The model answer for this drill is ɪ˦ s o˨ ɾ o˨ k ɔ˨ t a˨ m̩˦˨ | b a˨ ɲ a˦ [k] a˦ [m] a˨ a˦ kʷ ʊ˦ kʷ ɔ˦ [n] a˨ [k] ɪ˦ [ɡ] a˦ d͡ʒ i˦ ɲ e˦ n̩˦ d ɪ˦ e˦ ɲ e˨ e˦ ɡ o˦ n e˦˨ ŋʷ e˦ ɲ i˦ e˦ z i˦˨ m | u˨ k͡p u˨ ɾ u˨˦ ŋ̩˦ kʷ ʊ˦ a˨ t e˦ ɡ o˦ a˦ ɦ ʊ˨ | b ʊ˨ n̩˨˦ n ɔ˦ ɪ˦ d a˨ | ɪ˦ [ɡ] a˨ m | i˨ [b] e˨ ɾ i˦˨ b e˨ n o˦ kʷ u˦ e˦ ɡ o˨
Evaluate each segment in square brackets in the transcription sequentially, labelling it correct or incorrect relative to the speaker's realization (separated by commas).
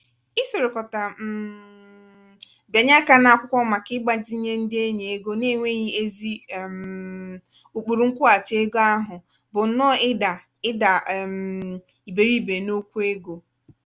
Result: correct, incorrect, incorrect, correct, incorrect, incorrect, correct